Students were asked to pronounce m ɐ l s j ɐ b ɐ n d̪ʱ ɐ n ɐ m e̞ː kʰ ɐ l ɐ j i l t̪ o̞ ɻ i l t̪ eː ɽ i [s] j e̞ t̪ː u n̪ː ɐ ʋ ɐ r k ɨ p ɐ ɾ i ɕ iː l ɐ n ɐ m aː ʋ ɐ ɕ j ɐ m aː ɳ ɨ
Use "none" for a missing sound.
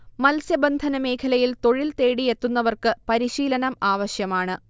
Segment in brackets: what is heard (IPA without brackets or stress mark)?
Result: none